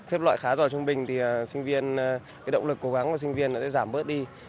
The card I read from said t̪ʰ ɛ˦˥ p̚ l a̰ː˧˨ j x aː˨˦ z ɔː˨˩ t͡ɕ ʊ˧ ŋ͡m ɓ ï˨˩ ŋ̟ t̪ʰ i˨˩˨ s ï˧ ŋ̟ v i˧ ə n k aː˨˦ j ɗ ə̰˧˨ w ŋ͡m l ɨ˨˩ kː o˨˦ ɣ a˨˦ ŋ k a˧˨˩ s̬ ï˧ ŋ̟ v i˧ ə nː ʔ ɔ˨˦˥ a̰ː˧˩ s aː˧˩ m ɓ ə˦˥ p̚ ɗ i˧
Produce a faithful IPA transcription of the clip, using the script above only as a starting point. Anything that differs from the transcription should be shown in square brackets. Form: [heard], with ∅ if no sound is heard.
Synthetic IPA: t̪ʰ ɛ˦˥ p̚ l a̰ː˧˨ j x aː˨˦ z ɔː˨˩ t͡ɕ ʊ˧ ŋ͡m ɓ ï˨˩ ŋ̟ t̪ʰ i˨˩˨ s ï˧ ŋ̟ v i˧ ə n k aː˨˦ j ɗ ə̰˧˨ w ŋ͡m l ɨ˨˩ kː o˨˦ ɣ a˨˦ ŋ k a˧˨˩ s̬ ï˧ ŋ̟ v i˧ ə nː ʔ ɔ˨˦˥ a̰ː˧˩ [z] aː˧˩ m ɓ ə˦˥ [t̚] ɗ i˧